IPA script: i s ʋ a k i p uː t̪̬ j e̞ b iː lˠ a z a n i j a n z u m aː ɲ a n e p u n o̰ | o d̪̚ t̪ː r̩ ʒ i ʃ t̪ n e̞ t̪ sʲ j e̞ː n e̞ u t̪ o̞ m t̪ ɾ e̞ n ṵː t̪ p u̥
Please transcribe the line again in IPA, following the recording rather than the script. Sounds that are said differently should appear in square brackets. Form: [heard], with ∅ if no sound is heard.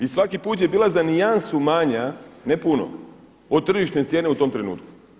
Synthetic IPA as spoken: i s ʋ a k i p uː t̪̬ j e̞ b iː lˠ a z a n i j a n [s] u m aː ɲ a n e p u n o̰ | o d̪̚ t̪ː r̩ ʒ i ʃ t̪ n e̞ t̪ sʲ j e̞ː n e̞ u t̪ o̞ m t̪ ɾ e̞ n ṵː t̪ [k] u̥